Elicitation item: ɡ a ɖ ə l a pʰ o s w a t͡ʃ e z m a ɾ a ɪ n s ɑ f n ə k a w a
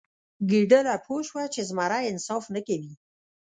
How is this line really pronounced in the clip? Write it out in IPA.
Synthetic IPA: ɡ i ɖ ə l a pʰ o ʃ w a t͡ʃ e z m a ɾ a ɪ n s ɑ f n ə k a w i

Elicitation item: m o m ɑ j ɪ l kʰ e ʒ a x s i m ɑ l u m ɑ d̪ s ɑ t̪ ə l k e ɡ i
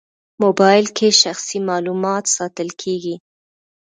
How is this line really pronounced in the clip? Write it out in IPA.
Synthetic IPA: m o b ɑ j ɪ l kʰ e ʃ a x s i m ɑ l u m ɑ t̪ s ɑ t̪ ə l kʰ e ɡ i

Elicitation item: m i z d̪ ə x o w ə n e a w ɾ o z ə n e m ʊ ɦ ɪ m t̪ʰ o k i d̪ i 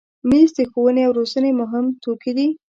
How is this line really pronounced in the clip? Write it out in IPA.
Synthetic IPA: m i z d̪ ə x o w ə n e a w ɾ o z ə n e m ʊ ɦ ɪ m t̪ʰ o k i d̪ i

